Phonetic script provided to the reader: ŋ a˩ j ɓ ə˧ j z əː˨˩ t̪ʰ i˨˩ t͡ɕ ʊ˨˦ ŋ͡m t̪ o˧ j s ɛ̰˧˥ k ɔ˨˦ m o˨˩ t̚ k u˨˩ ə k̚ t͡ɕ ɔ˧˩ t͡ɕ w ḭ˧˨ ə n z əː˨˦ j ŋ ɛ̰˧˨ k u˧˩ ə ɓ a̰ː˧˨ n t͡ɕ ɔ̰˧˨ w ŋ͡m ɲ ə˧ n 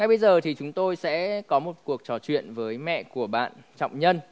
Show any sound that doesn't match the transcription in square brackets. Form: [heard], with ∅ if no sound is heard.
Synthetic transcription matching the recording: ŋ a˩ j ɓ ə˧ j z əː˨˩ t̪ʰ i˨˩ t͡ɕ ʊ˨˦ ŋ͡m t̪ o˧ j s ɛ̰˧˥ k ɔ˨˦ m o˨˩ t̚ k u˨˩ ə k̚ t͡ɕ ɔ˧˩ t͡ɕ w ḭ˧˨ ə n [v] əː˨˦ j [m] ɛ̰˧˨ k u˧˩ ə ɓ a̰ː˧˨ n t͡ɕ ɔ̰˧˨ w ŋ͡m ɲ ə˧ n